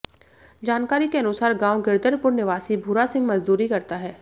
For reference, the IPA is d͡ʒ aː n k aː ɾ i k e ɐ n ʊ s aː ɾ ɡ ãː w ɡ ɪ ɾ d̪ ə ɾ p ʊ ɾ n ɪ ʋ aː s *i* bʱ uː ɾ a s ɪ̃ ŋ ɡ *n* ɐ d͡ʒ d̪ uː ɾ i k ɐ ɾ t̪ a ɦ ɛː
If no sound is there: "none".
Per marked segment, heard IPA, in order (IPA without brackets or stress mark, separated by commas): i, m